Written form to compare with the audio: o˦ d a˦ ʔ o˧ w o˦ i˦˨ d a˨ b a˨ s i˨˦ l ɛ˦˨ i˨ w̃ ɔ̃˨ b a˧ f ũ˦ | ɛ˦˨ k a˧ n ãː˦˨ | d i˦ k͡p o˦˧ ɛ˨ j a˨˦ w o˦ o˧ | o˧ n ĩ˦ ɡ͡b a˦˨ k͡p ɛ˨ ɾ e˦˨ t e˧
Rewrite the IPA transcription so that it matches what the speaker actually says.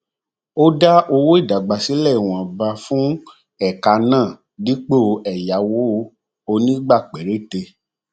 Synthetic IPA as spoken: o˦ d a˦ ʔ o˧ w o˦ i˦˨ d a˨ ɡ͡b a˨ s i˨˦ l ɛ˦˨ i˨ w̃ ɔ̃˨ b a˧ f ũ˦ | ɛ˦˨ k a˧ n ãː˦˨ | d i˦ k͡p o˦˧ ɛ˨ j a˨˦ w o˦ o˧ | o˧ n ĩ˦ ɡ͡b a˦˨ k͡p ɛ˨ ɾ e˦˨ t e˧